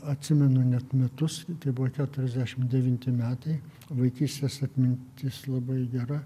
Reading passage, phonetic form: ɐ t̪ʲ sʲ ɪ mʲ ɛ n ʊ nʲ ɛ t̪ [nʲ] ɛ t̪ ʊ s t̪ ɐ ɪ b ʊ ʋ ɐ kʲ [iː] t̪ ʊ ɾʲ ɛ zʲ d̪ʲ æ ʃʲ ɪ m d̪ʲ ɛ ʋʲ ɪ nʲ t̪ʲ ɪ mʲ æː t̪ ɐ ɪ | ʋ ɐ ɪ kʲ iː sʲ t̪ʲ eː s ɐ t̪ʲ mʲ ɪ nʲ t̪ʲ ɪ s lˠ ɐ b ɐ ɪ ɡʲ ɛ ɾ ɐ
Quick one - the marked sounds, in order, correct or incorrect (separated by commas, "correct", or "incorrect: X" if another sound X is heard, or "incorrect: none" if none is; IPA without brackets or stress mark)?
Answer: incorrect: mʲ, incorrect: æː